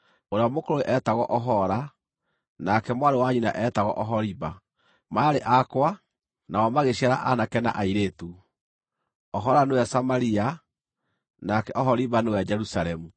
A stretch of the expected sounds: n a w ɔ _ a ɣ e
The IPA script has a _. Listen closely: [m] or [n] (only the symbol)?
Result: m